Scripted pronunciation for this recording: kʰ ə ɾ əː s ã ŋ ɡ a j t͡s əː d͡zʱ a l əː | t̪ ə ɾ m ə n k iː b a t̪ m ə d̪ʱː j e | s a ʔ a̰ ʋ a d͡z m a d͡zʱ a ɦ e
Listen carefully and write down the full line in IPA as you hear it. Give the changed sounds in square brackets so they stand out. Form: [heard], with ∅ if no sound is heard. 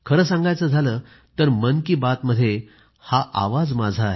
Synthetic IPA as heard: kʰ ə ɾ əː s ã ŋ ɡ a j t͡s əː d͡zʱ a l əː | t̪ ə ɾ m ə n k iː b a t̪ m ə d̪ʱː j e | [h] a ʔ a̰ ʋ a d͡z m a d͡zʱ a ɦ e

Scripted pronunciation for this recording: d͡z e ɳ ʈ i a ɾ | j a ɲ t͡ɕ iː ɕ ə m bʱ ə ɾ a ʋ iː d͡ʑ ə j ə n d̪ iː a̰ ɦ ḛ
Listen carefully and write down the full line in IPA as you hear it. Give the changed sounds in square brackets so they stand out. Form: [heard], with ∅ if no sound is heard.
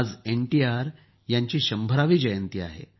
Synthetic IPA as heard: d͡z e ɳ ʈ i a ɾ | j a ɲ t͡ɕ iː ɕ ə m bʱ ə ɾ a ʋ iː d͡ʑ ə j ə n [t̪] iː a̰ ɦ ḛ

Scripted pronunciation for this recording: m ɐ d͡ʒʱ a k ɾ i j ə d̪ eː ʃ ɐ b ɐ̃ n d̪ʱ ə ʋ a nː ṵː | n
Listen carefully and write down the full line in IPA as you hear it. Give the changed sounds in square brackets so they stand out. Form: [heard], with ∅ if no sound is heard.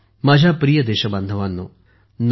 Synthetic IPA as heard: m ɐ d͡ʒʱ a [p] ɾ i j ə d̪ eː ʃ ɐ b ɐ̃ n d̪ʱ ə ʋ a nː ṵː | n

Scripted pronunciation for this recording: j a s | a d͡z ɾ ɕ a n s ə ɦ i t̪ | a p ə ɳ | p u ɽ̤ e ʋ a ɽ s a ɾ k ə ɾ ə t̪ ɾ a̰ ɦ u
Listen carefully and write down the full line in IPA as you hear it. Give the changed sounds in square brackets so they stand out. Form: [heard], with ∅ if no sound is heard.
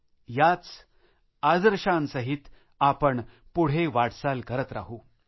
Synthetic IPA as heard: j a [t͡s] | a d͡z ɾ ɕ a n s ə ɦ i t̪ | a p ə ɳ | p u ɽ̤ e ʋ a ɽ s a [l] k ə ɾ ə t̪ ɾ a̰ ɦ u

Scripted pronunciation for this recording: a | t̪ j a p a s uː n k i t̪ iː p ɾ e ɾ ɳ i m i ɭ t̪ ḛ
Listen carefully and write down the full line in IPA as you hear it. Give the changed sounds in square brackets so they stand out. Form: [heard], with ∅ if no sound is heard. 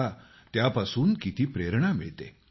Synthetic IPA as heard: a | t̪ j a p a s uː n k i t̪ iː p ɾ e ɾ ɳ [a] m i ɭ t̪ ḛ

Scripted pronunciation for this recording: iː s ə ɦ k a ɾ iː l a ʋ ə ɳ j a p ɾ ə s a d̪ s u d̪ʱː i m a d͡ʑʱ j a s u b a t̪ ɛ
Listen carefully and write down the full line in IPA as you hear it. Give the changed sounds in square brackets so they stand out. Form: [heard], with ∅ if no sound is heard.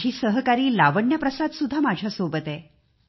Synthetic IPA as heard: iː s ə ɦ k a ɾ iː l a ʋ ə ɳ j a p ɾ ə s a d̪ s u d̪ʱː [a] m a d͡ʑʱ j a s [o] b [ə] t̪ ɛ

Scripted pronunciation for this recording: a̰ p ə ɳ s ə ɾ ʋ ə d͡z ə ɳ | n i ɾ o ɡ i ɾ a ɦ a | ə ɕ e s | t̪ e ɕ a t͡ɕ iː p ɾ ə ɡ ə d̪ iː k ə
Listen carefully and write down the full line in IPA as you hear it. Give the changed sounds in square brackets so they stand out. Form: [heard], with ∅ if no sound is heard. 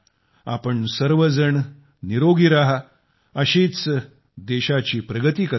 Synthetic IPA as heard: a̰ p ə ɳ s ə ɾ ʋ ə d͡z ə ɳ | n i ɾ o ɡ i ɾ a ɦ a | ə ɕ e [t͡s] | [d̪] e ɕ a t͡ɕ iː p ɾ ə ɡ ə [t̪] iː k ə

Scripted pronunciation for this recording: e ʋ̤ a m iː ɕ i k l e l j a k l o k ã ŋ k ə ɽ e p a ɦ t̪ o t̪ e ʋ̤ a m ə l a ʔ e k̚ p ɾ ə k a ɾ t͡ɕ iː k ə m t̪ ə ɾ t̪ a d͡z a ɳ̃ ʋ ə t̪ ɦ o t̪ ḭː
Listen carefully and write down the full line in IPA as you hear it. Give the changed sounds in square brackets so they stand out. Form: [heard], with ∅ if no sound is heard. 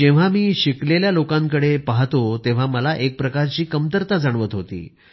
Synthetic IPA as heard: e ʋ̤ a m iː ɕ i k l e l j a [∅] l o k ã ŋ k ə ɽ e p a ɦ t̪ o t̪ e ʋ̤ a m ə l a ʔ e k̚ p ɾ ə k a ɾ t͡ɕ iː k ə m t̪ ə ɾ t̪ a d͡z a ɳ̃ ʋ ə t̪ ɦ o t̪ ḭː

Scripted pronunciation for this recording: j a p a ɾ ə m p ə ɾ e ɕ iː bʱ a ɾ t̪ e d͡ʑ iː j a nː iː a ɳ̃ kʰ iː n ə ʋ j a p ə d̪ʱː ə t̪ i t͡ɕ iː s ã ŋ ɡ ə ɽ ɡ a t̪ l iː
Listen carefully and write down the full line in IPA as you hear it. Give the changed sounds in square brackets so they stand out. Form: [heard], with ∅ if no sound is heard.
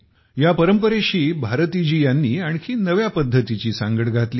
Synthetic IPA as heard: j a p [ə] ɾ ə m p ə ɾ e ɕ iː bʱ a ɾ t̪ [i] d͡ʑ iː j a nː iː a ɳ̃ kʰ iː n ə ʋ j a p ə d̪ʱː ə t̪ i t͡ɕ iː s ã ŋ ɡ ə ɽ ɡ a t̪ l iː

